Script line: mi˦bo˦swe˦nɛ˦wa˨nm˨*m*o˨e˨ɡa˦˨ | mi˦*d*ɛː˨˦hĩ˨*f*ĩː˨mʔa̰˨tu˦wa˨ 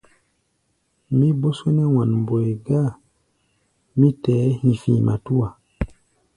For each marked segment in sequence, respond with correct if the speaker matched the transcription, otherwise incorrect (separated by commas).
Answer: incorrect, incorrect, correct